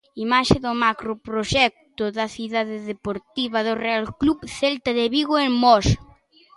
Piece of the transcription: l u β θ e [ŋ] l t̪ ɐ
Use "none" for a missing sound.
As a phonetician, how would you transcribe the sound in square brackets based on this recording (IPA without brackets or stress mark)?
none